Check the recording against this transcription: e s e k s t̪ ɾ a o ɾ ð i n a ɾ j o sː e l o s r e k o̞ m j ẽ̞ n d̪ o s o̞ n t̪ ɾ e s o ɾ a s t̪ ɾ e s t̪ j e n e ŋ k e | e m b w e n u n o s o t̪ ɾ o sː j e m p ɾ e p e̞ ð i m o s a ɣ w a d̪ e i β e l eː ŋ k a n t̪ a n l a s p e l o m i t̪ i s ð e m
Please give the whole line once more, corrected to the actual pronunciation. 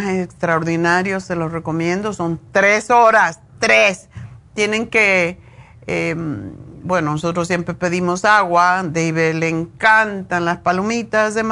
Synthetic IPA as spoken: e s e k s t̪ ɾ a o ɾ ð i n a ɾ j o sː e l o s r e k o̞ m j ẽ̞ n d̪ o s o̞ n t̪ ɾ e s o ɾ a s t̪ ɾ e s t̪ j e n e ŋ k e | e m b w e n o n o s o t̪ ɾ o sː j e m p ɾ e p e̞ ð i m o s a ɣ w a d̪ e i β e l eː ŋ k a n t̪ a n l a s p a l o m i t̪ a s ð e m